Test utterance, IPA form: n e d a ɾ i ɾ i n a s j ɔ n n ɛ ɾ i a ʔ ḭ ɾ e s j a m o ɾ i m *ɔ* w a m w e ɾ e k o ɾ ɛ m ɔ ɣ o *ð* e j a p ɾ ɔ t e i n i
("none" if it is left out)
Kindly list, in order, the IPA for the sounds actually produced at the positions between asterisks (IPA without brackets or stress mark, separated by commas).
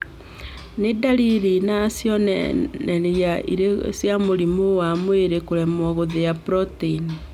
o, ð